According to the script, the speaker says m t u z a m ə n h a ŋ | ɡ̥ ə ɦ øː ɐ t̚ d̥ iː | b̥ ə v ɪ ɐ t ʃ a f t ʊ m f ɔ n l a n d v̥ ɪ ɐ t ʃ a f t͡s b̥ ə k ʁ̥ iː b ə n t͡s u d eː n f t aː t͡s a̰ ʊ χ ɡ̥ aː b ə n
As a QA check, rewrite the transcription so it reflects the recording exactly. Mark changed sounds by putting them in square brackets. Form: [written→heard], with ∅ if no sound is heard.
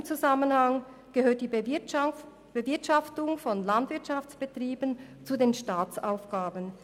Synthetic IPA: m [t→t͡s] u z a m ə n h a ŋ | ɡ̥ ə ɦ øː ɐ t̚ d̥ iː | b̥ ə v ɪ ɐ t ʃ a f t ʊ [m→ŋ] f ɔ n l a n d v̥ ɪ ɐ t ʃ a f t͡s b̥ ə [k→t] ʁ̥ iː b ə n t͡s u d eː n [f→ʃ] t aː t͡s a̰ ʊ [χ→f] ɡ̥ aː b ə n